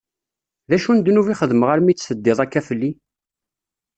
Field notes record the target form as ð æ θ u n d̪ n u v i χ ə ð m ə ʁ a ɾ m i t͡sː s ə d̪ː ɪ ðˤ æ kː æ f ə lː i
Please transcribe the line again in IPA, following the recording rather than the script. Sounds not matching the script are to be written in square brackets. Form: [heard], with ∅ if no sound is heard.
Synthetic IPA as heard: ð æ [ʃ] u n d̪ n u v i χ ə ð m ə ʁ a ɾ m i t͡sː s ə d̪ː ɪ ðˤ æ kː æ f ə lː i

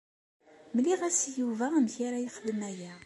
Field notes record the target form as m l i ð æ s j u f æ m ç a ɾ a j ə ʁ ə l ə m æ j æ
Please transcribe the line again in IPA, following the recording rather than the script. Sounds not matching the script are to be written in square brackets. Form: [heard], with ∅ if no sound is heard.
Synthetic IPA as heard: m l i [ʁ] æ s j u [v] æ m ç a ɾ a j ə [χ] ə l ə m æ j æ

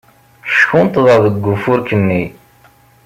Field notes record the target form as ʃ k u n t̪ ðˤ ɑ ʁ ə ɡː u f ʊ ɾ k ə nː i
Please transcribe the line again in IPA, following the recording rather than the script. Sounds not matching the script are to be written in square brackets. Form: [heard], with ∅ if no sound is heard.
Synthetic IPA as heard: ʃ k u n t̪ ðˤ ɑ [ð] ə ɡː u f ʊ ɾ k ə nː i

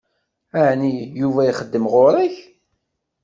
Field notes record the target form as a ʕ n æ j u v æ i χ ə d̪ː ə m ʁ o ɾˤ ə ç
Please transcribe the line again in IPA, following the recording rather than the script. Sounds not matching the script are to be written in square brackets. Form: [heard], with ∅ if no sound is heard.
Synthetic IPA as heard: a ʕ n [i] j u v æ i χ ə d̪ː ə m ʁ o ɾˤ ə ç

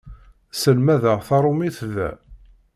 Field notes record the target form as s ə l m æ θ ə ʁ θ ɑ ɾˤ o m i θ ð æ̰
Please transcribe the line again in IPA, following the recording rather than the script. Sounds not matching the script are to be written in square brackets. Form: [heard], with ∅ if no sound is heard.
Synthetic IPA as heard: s ə l m æ [ð] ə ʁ θ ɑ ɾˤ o m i θ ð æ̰

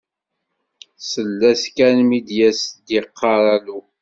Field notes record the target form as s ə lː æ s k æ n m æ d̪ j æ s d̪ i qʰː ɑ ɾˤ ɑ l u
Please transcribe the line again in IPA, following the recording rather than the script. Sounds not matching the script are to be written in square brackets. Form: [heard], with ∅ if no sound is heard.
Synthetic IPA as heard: s ə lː æ s k æ n m [i] d̪ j æ s d̪ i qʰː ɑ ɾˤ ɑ l u

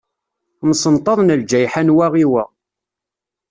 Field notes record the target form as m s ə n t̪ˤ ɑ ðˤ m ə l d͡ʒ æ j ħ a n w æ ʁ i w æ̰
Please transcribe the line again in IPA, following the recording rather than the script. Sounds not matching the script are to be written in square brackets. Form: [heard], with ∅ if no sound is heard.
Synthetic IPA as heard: m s ə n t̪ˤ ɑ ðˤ [n] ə l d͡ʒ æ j ħ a n w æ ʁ i w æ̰

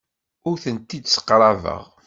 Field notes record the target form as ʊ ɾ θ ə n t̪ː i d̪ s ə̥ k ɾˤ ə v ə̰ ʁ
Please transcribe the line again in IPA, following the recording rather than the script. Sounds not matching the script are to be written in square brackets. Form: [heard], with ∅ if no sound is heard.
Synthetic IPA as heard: ʊ ɾ θ ə n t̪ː i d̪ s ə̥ [q] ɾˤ [ɑ] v ə̰ ʁ

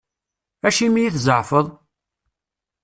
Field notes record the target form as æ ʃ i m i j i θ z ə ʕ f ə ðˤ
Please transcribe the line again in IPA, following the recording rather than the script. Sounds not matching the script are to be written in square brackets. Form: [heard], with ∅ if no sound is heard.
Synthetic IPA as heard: æ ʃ i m i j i θ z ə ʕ f ə ðˤ

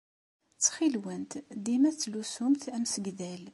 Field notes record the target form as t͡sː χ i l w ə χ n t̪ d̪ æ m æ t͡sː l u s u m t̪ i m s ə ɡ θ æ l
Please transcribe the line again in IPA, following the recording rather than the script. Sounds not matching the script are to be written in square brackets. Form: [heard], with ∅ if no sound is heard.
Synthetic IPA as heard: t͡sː χ i l w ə [∅] n t̪ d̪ [i] m æ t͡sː l u s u m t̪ [æ] m s ə ɡ [ð] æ l

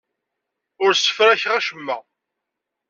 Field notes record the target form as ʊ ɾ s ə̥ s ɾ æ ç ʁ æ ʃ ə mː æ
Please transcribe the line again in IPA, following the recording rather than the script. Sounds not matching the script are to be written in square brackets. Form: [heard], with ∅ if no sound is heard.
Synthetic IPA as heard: ʊ ɾ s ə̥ [f] ɾ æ ç ʁ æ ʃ ə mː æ

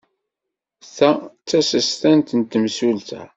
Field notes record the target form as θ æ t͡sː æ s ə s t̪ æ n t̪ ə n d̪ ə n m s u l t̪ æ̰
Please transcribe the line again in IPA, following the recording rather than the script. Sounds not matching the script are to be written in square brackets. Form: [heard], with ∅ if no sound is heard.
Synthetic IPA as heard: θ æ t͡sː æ s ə s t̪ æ n t̪ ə n [t̪] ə [∅] m s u l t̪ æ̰

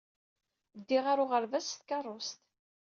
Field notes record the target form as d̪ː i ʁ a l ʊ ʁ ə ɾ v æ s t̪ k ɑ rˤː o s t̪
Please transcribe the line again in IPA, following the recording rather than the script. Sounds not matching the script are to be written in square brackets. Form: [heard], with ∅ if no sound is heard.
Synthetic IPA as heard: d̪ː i ʁ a [ɾ] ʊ ʁ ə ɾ v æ s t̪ k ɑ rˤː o s t̪

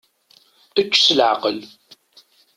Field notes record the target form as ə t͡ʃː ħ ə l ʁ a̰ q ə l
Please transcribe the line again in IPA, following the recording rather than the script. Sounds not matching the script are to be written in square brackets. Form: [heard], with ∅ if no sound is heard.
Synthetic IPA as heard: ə t͡ʃː [s] ə l [ʕ] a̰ q ə l

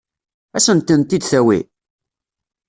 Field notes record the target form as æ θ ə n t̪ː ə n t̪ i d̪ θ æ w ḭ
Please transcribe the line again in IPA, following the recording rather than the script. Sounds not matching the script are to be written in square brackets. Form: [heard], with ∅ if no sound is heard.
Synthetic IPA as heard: æ [s] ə n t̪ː ə n t̪ i d̪ θ æ w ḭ

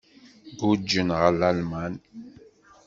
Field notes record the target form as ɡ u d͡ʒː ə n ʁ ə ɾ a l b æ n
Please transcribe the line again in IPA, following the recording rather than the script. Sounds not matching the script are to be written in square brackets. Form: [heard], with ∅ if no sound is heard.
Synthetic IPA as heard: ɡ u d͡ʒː ə n ʁ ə [l] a l [m] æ n

